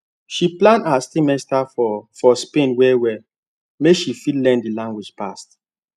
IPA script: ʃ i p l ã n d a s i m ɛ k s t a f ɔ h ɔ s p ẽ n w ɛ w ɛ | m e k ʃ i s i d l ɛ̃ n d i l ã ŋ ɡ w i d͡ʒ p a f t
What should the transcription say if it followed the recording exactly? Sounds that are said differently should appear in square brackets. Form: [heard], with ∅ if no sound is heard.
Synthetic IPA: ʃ i p l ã n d a s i m ɛ [∅] s t a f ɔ [f] ɔ s p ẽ n w ɛ w ɛ | m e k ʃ i [f] i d l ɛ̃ n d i l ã ŋ ɡ w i d͡ʒ p a [s] t